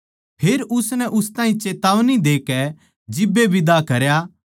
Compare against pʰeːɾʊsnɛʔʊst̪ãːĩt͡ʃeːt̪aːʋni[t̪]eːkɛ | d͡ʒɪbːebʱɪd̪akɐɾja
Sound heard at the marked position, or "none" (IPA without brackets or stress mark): d̪